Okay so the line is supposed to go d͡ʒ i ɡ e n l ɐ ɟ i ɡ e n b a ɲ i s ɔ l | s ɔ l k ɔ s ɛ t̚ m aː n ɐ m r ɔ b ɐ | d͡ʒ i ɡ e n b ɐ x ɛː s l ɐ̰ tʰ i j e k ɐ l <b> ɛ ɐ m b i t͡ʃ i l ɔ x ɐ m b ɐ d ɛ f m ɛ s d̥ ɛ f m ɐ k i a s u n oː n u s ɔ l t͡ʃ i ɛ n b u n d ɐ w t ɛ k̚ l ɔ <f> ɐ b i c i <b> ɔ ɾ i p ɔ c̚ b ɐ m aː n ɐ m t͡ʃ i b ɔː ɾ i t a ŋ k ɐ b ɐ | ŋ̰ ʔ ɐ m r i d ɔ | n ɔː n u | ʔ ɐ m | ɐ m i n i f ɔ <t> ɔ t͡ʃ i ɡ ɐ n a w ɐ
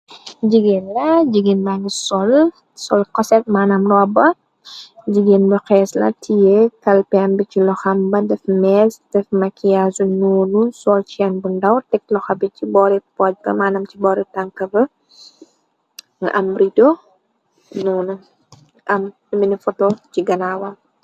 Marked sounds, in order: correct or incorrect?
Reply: incorrect, incorrect, correct, correct

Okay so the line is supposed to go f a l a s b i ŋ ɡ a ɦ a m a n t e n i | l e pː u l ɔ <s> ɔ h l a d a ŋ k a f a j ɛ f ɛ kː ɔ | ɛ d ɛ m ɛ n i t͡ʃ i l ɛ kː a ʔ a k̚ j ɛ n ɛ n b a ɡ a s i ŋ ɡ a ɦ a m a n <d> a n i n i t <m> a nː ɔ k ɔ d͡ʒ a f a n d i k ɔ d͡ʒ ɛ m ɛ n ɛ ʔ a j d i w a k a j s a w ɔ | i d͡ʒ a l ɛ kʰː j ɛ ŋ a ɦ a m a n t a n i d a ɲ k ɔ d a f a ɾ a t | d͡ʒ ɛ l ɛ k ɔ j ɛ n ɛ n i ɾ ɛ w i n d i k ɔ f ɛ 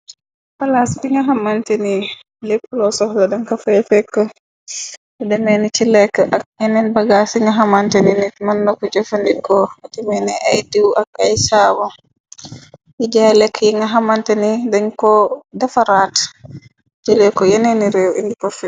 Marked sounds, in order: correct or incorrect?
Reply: correct, incorrect, correct

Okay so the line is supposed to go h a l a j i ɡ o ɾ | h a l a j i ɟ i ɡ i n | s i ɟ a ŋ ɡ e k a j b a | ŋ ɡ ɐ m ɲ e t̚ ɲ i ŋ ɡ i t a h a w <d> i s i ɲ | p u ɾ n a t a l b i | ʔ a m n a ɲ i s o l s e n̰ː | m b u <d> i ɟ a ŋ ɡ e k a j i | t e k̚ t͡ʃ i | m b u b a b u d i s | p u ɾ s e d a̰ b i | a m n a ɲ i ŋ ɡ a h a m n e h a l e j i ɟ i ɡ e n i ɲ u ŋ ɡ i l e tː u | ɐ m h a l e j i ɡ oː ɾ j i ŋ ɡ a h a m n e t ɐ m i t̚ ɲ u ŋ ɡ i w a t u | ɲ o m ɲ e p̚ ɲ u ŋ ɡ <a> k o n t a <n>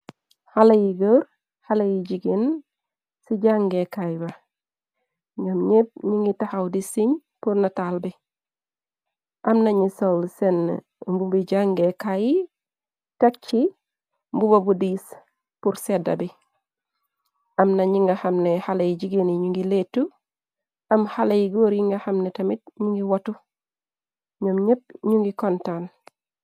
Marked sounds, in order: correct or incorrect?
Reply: correct, incorrect, incorrect, correct

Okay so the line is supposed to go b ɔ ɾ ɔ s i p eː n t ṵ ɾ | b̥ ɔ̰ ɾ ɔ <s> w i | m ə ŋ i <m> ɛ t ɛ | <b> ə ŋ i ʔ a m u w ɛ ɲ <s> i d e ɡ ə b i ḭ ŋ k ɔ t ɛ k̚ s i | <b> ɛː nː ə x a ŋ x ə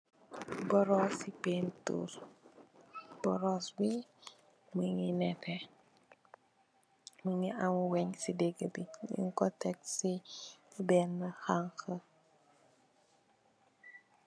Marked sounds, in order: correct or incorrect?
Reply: correct, incorrect, incorrect, correct, correct

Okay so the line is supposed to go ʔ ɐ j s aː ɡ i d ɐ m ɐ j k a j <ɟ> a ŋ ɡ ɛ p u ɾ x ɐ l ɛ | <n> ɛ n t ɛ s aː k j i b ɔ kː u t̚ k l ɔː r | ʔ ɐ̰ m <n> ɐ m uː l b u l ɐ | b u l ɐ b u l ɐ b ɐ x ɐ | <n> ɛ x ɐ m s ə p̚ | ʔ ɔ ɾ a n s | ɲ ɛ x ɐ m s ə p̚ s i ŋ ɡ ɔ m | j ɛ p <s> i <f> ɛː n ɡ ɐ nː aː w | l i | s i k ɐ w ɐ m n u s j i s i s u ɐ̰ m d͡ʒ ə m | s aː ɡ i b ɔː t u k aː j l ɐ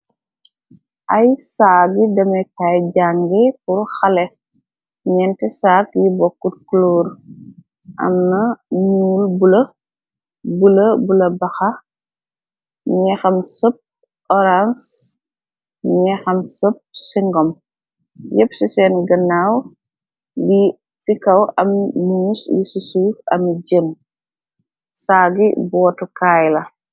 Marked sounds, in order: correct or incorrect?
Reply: correct, incorrect, correct, incorrect, correct, incorrect

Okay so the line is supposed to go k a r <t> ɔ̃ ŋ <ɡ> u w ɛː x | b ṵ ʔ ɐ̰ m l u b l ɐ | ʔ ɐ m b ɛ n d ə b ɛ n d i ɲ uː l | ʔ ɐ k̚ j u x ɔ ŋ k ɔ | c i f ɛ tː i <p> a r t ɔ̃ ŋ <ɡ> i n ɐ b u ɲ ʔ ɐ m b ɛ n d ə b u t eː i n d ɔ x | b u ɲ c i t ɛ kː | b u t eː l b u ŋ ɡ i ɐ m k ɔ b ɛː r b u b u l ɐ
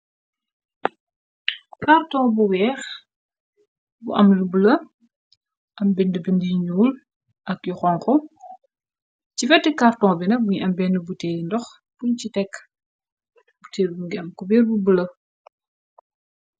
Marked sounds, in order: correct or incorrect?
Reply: correct, incorrect, incorrect, incorrect

